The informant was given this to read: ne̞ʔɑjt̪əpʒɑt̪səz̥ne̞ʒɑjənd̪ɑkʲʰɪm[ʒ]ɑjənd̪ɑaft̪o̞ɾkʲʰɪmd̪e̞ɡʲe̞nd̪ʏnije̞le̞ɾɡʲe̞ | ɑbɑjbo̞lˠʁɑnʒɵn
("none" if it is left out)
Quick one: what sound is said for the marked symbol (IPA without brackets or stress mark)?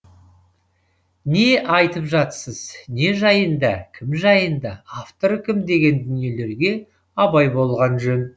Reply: ʒ